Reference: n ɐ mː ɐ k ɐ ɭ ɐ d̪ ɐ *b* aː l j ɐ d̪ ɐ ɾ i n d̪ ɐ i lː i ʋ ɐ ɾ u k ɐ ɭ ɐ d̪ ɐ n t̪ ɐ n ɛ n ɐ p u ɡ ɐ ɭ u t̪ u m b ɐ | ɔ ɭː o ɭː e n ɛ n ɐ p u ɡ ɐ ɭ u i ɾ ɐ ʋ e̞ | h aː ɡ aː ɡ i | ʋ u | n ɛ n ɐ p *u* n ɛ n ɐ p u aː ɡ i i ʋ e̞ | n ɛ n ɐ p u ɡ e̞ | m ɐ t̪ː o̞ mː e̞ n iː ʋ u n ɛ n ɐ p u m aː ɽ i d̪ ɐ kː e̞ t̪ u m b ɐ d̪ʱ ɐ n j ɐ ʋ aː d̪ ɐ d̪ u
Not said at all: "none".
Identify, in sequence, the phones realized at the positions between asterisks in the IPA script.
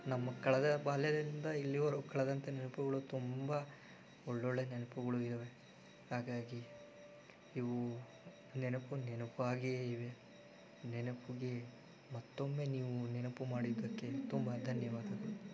b, u

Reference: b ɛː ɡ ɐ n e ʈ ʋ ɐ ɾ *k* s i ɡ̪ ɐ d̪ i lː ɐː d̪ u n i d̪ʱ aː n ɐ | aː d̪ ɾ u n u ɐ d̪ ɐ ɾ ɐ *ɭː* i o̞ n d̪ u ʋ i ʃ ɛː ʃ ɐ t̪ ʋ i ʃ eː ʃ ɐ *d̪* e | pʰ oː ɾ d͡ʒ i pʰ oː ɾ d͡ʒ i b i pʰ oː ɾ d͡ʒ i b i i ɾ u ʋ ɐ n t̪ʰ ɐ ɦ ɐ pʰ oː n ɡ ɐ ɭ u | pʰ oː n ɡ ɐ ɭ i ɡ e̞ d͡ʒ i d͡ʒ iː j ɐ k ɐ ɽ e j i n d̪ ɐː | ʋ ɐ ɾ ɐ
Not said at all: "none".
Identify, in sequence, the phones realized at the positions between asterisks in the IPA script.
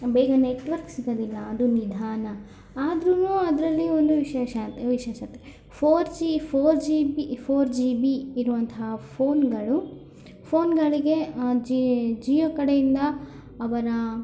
k, lː, t̪

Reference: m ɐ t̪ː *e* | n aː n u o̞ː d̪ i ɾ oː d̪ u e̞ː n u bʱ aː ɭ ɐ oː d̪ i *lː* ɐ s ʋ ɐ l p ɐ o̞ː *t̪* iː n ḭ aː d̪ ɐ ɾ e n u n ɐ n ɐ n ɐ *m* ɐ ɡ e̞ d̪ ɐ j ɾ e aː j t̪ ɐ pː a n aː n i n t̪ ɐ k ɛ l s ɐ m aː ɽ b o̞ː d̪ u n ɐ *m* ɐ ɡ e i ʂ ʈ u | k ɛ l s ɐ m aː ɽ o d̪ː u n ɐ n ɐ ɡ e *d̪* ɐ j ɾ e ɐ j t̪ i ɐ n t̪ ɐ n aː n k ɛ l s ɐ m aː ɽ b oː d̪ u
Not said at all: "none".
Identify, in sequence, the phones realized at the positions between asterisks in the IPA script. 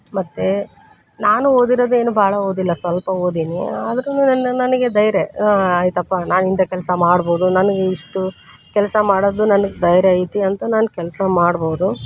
e, lː, d̪, n, n, d̪

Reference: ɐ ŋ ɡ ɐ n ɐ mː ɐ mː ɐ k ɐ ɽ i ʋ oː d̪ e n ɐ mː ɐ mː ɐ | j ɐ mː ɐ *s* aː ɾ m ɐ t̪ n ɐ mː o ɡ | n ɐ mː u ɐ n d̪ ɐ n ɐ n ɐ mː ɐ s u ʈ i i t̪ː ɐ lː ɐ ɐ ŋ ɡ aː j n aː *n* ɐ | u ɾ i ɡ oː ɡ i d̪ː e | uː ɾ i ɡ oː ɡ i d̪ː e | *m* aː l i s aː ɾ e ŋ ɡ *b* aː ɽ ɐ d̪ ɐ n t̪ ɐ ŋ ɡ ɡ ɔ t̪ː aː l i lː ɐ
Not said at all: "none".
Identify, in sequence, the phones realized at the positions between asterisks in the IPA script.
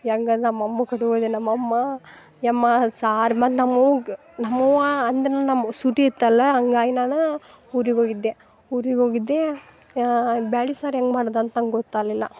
s, n, b, m

